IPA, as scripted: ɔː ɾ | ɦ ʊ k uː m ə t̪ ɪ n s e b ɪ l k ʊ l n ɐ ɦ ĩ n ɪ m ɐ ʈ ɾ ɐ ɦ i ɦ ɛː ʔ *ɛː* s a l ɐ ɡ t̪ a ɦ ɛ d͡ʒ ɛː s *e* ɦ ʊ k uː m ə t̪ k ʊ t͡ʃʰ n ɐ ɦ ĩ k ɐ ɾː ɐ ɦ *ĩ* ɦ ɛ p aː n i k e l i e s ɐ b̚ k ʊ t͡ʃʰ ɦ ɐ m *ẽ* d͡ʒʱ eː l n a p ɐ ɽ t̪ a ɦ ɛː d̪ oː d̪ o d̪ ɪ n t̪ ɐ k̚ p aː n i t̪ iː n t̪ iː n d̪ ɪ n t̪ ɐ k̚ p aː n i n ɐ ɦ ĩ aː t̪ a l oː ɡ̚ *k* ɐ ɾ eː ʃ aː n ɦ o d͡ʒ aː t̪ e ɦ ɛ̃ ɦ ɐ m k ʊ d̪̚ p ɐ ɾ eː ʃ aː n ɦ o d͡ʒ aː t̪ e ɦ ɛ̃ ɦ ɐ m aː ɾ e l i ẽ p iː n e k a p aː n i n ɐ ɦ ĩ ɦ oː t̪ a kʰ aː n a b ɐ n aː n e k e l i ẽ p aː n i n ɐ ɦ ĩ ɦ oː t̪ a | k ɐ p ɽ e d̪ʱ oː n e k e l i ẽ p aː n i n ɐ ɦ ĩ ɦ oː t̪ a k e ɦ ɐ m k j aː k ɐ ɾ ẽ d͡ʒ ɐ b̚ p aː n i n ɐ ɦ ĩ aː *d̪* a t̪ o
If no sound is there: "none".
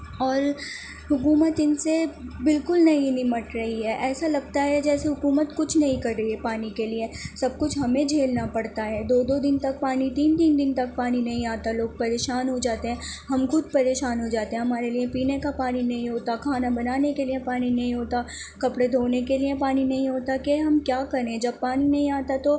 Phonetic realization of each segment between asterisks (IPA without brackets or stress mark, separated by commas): ɛː, e, i, ẽ, p, t̪